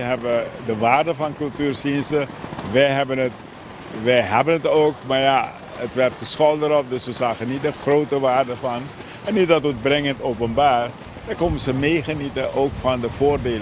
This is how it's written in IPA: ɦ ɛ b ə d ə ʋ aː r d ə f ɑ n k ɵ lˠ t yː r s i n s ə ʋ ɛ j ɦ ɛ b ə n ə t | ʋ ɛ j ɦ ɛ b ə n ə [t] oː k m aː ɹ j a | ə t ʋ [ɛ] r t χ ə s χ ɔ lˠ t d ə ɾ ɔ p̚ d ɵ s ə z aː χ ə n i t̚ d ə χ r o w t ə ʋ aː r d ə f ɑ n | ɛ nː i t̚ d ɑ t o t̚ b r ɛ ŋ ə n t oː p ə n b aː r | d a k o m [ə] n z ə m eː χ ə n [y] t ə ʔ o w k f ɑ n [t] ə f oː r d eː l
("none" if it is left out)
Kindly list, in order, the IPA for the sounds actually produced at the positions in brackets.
t, ɛ, ə, i, d

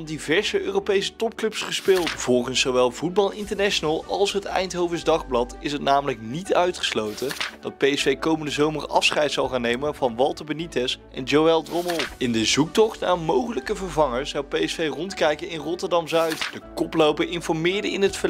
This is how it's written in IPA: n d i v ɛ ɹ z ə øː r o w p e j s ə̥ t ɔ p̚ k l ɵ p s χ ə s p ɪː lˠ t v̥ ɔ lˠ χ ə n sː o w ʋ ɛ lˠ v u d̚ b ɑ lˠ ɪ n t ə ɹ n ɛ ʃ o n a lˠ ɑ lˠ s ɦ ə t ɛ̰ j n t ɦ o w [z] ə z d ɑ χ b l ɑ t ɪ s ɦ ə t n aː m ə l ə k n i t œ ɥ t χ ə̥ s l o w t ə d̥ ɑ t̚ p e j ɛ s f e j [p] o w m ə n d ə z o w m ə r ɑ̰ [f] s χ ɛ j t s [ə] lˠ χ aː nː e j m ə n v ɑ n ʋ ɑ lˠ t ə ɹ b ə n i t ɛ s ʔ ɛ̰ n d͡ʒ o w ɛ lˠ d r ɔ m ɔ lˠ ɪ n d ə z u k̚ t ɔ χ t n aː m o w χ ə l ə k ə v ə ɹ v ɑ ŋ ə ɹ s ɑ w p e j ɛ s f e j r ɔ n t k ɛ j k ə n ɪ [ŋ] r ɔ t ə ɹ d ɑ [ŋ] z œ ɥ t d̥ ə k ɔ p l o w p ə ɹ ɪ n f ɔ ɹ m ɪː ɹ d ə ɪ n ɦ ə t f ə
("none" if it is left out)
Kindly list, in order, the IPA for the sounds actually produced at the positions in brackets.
v, k, f, ɑ, n, m

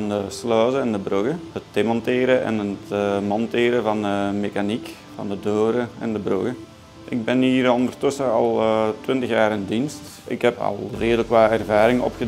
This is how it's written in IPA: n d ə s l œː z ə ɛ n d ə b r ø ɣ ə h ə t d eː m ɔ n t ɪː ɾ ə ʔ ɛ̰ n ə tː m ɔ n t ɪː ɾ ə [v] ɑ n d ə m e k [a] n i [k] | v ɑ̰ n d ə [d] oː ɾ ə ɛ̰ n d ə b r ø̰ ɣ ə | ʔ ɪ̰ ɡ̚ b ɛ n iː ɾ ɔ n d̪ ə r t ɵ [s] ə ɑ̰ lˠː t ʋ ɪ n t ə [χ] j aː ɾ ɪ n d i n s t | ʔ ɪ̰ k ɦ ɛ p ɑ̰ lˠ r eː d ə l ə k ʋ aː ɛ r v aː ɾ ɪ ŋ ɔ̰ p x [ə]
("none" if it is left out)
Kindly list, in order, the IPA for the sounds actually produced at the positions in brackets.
v, a, k, d, s, x, ə

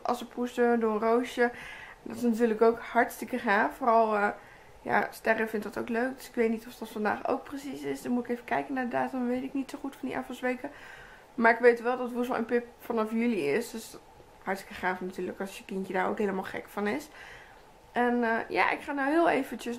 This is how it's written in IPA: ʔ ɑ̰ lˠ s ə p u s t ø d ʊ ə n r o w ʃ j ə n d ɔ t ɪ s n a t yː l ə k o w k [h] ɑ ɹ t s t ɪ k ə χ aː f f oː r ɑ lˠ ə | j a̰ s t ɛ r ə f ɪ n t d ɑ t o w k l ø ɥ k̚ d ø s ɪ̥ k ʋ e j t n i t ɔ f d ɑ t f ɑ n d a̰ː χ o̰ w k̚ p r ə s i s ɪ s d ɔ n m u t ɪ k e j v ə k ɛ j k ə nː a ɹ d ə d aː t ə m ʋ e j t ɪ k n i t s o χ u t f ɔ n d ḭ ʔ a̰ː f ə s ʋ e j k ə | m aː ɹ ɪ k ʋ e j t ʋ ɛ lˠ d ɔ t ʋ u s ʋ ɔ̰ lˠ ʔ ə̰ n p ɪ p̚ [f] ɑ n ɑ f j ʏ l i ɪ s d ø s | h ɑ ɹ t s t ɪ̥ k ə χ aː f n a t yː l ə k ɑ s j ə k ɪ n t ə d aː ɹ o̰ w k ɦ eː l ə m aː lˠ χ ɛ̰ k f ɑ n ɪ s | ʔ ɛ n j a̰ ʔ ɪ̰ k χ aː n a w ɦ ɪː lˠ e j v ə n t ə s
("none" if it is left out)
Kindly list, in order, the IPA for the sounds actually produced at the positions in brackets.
h, f

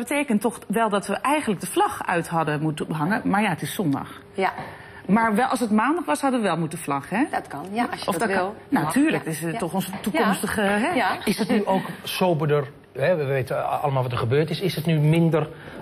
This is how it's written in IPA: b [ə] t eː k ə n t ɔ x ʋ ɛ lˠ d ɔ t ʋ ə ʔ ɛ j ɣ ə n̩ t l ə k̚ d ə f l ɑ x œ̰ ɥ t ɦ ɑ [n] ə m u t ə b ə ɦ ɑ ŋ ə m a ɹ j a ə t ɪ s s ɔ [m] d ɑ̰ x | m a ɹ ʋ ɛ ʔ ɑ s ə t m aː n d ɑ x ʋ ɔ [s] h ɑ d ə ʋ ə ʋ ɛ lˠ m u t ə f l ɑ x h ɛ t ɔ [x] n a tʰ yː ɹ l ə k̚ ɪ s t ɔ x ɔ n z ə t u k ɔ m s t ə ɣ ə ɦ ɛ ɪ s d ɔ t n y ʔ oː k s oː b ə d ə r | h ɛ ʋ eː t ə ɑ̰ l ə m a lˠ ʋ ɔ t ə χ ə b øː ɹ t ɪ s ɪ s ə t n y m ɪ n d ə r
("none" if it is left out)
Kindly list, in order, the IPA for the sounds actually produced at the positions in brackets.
ə, d, n, s, f

